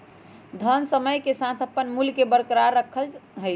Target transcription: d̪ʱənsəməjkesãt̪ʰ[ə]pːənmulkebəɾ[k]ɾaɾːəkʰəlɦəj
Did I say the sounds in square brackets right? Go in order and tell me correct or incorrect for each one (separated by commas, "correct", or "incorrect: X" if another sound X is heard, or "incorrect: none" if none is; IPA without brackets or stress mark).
correct, correct